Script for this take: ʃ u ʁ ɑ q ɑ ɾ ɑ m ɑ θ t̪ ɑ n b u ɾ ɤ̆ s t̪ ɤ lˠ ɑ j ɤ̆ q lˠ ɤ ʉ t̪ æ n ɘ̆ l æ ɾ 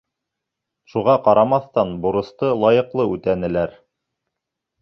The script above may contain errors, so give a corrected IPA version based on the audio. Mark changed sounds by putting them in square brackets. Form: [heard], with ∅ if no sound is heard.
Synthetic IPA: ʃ u ʁ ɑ q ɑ ɾ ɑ m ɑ θ t̪ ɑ n b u ɾ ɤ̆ s t̪ ɤ lˠ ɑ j ɤ̆ q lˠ ɤ ʉ t̪ æ n ɘ̆ l æ ɾ